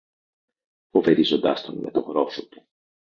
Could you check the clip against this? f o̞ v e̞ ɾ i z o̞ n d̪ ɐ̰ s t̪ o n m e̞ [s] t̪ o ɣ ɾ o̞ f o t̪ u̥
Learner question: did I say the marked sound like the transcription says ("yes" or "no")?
no